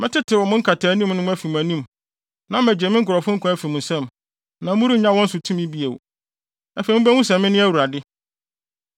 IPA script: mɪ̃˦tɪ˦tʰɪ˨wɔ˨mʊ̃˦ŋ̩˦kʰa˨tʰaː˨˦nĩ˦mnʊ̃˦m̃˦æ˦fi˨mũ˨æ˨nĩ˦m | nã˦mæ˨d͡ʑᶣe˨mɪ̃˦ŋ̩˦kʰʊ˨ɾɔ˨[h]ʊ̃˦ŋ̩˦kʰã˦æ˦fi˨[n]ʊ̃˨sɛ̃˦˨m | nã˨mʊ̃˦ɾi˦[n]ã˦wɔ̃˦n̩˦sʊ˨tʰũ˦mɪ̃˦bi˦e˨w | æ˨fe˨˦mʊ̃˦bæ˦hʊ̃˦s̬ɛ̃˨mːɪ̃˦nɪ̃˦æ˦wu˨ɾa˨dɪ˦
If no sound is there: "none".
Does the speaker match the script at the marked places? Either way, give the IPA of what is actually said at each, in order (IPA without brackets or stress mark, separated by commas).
f, m, ɲ